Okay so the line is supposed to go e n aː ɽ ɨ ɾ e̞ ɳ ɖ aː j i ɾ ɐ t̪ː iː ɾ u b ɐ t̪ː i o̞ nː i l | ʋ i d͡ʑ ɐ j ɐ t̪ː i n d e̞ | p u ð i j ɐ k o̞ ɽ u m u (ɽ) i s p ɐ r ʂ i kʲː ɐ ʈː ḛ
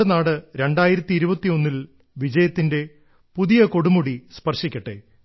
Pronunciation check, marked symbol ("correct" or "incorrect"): correct